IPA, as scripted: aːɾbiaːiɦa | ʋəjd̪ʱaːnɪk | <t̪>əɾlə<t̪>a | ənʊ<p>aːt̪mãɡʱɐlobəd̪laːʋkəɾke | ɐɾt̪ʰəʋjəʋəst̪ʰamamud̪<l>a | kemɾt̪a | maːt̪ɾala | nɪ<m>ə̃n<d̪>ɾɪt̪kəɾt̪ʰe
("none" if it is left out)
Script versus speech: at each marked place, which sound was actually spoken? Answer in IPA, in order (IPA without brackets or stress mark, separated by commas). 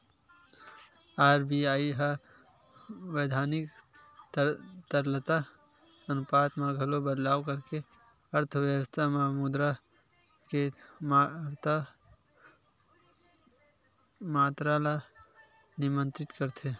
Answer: t̪, t̪, p, ɾ, m, t̪